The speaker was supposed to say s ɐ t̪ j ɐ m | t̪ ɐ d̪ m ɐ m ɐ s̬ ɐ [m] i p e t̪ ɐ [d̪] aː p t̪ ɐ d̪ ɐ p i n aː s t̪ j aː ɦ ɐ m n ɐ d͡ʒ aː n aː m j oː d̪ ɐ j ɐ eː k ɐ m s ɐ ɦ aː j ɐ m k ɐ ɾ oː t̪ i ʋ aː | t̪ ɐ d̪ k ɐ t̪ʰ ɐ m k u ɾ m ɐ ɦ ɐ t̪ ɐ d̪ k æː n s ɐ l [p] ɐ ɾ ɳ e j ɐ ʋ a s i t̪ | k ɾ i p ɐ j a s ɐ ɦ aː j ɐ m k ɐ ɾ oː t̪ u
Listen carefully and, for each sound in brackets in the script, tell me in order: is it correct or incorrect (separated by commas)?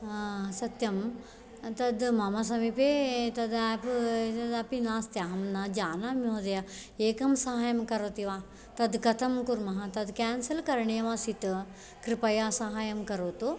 correct, correct, incorrect